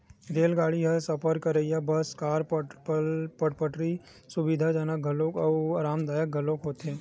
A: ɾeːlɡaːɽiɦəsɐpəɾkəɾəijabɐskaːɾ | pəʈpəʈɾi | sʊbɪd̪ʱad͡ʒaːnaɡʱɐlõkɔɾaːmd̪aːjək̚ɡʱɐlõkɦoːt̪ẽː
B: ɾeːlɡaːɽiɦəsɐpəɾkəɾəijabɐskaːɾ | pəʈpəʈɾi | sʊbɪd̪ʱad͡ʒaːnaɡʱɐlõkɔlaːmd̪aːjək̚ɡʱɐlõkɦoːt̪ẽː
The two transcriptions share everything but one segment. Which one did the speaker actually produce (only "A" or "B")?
A